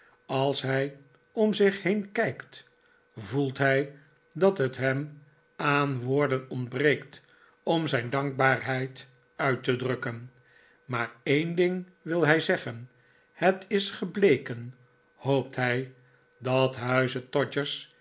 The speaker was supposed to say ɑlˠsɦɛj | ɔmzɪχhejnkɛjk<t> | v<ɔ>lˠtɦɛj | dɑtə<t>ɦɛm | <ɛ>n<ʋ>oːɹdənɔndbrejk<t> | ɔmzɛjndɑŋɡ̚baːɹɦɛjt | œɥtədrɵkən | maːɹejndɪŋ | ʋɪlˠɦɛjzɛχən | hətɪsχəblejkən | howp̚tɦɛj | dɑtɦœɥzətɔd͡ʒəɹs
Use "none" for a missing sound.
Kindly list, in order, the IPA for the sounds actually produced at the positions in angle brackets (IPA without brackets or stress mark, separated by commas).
t, u, t, a, ʋ, t